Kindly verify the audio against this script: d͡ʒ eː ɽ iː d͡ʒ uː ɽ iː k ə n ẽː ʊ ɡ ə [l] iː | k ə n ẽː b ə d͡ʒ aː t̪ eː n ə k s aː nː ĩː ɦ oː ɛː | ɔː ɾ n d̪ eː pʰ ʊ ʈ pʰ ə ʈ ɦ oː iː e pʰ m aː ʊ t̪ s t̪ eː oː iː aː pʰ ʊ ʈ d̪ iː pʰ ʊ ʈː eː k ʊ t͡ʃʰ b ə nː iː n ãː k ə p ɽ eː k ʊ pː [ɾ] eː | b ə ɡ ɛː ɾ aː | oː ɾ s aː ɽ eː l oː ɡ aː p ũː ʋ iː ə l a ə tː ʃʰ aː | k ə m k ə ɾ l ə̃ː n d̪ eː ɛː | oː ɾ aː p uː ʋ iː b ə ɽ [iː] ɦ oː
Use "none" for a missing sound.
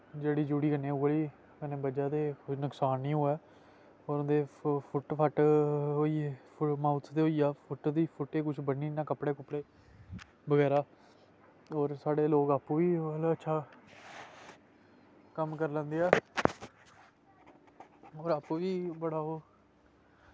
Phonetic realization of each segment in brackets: l, ɽ, aː

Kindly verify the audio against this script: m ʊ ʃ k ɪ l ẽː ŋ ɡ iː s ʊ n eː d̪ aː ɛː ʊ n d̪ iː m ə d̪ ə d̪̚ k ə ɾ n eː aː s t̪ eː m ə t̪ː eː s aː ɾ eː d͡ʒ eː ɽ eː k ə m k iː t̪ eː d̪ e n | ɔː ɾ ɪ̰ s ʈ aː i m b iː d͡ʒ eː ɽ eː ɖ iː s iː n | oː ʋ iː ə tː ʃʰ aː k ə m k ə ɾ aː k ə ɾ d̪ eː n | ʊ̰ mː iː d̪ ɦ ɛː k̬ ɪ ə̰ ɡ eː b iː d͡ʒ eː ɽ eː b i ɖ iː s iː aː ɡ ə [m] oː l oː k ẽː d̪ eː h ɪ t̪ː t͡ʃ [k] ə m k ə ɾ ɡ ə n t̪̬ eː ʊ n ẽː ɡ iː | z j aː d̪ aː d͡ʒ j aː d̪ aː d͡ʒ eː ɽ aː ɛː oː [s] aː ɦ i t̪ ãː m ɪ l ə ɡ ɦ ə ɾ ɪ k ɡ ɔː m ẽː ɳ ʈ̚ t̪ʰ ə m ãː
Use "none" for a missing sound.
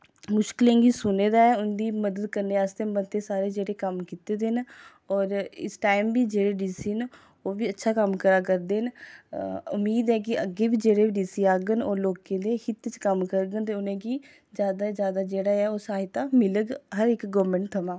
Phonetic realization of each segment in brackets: n, k, s

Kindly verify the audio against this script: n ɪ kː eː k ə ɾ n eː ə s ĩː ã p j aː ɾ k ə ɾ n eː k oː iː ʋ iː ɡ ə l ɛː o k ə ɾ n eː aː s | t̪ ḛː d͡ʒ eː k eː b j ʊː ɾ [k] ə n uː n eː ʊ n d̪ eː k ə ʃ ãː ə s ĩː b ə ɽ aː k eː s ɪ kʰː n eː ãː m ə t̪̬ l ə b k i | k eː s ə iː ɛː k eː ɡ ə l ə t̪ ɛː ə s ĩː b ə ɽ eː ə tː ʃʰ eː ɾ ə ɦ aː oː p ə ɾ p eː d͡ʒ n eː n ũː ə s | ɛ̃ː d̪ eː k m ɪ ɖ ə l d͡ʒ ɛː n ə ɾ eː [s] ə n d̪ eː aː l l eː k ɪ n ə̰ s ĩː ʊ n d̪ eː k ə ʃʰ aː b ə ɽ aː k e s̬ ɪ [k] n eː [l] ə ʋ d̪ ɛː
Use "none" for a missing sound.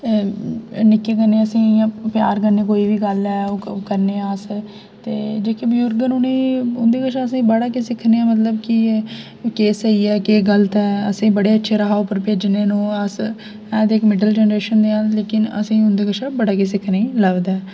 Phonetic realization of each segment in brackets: ɡ, ʃ, kʰ, l

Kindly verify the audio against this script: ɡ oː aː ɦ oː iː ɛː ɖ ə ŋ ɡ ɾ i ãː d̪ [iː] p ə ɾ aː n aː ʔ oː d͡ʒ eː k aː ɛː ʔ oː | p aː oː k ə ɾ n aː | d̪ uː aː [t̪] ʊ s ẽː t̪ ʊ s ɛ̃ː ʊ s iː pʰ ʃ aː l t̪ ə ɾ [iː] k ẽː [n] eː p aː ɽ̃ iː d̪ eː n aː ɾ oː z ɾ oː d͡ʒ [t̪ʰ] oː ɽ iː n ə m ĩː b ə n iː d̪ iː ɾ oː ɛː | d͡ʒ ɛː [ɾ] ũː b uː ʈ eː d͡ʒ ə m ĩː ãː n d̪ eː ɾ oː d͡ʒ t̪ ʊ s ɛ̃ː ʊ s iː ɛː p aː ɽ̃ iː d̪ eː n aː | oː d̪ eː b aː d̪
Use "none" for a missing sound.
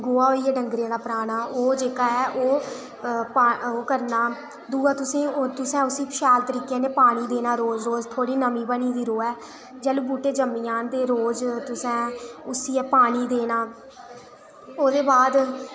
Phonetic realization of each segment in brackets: aː, t̪, iː, n, t̪ʰ, l

